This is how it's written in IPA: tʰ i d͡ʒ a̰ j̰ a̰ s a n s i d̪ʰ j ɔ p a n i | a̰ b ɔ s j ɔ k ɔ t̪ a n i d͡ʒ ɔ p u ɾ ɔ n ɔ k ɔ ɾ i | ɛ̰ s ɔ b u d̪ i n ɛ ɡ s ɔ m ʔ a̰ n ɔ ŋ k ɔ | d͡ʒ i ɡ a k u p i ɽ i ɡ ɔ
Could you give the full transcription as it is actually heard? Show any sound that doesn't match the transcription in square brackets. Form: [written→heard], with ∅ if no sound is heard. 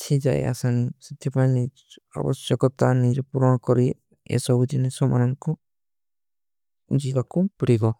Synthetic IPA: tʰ i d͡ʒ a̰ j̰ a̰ s a n s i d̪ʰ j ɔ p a n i | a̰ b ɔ s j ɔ k ɔ t̪ a n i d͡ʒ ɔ p u ɾ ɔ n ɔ k ɔ ɾ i | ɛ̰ s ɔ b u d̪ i n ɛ [ɡ→∅] s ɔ m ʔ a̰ n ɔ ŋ k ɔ | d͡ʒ i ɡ a k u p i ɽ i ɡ ɔ